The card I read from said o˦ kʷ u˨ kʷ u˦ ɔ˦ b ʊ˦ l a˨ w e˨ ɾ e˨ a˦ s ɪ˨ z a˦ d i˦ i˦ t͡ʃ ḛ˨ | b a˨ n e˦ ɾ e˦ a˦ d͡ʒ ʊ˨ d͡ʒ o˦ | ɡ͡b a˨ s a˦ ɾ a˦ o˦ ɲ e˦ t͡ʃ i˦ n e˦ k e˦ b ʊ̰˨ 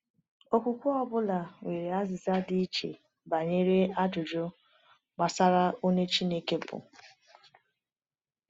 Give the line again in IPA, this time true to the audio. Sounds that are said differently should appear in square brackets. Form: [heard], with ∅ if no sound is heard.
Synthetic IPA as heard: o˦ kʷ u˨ kʷ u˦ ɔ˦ b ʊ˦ l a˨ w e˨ ɾ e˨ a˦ [z] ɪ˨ z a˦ d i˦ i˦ t͡ʃ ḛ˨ | b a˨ [ɲ] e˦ ɾ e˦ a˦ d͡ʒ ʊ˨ d͡ʒ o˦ | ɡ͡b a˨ s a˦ ɾ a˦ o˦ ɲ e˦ t͡ʃ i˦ n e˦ k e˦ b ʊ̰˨